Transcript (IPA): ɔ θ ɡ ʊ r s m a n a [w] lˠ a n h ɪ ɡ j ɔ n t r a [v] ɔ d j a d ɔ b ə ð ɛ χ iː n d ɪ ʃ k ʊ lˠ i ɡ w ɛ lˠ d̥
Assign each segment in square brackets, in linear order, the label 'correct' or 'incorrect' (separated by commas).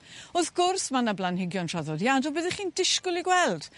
incorrect, incorrect